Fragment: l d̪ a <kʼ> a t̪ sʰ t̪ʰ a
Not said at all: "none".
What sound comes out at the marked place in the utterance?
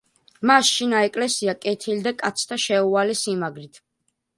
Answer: kʼ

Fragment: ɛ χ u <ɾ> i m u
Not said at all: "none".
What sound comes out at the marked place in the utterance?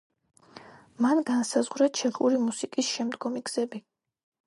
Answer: ɾ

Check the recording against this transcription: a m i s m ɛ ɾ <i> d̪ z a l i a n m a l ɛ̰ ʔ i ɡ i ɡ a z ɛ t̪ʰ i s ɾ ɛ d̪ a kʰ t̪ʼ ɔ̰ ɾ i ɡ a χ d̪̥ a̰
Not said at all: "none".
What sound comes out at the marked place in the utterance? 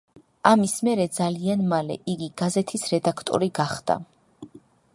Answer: ɛ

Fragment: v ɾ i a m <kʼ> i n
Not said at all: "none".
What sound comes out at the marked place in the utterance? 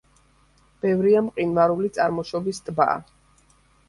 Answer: qʼ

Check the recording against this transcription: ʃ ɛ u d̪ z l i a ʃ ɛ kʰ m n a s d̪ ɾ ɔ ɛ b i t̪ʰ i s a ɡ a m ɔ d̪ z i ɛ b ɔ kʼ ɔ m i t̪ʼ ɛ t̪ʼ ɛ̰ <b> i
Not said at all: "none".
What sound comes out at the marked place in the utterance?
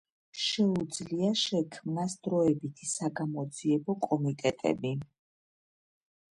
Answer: b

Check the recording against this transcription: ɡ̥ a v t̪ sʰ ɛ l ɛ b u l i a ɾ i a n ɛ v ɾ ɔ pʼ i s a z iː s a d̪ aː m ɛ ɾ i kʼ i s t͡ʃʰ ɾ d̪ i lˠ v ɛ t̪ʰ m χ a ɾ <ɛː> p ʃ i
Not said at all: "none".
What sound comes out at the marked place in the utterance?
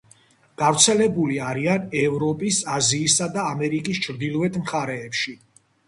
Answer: ɛː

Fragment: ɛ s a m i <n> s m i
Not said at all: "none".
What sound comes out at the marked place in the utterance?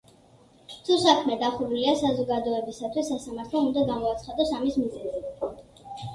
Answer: none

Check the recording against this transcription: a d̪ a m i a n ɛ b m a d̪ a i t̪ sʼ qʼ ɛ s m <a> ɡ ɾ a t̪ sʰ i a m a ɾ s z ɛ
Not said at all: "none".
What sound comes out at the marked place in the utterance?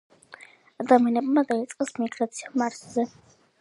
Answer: i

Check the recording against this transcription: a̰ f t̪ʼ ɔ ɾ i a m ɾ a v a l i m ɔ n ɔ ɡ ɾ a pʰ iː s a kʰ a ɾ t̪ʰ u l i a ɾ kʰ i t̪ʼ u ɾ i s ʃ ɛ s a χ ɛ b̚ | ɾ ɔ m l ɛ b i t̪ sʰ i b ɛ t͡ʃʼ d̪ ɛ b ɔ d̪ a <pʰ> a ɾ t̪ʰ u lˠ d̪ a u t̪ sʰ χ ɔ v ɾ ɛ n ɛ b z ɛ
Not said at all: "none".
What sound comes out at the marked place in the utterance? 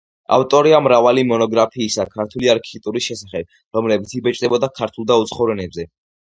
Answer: kʰ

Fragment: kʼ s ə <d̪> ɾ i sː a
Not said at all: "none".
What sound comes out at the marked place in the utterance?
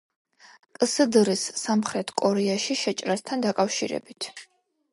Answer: d̪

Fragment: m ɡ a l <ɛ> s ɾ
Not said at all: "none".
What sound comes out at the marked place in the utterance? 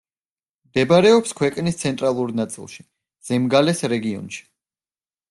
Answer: ɛ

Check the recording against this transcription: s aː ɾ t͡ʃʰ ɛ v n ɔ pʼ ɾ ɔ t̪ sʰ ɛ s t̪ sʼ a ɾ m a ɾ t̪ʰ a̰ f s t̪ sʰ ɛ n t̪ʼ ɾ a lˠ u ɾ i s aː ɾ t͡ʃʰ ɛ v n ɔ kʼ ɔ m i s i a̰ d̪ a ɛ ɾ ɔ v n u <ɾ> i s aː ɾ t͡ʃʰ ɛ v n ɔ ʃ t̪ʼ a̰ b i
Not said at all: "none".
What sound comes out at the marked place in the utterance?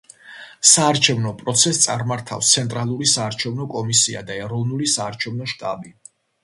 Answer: l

